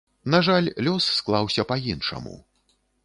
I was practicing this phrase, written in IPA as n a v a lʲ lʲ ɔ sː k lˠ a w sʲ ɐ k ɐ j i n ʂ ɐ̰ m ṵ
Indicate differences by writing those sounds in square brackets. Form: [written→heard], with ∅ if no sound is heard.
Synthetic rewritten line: n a [v→ʐ] a lʲ lʲ ɔ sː k lˠ a w sʲ ɐ [k→p] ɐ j i n ʂ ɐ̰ m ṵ